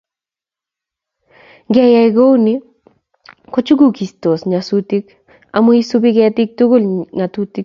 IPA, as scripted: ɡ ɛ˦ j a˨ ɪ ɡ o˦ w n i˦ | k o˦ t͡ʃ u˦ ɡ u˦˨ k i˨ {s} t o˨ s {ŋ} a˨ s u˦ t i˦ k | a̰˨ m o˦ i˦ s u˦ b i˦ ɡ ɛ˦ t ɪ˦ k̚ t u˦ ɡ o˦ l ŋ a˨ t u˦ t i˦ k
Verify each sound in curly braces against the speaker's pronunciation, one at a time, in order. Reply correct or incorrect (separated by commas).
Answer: correct, incorrect